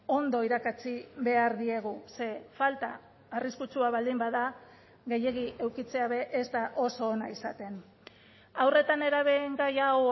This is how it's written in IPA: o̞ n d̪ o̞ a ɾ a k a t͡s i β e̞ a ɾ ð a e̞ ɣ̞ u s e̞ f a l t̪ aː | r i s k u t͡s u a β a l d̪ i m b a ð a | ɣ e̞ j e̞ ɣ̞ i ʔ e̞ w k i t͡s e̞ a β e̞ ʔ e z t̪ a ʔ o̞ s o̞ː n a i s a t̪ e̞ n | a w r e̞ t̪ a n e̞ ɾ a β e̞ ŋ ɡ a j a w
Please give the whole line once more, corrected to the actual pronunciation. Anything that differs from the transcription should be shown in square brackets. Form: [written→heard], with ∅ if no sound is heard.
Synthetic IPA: o̞ n d̪ o̞ [a→i] ɾ a k a t͡s i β e̞ a ɾ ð [a→i] e̞ ɣ̞ u s e̞ f a l t̪ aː | r i s k u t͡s u a β a l d̪ i m b a ð a | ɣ e̞ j e̞ ɣ̞ i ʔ e̞ w k i t͡s e̞ a β e̞ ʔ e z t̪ a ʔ o̞ s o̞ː n a i s a t̪ e̞ n | a w r e̞ t̪ a n e̞ ɾ a β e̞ ŋ ɡ a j a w